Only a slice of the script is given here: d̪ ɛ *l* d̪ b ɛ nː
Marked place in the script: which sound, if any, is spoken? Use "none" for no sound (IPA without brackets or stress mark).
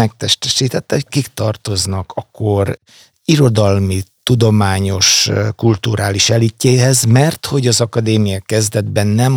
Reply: none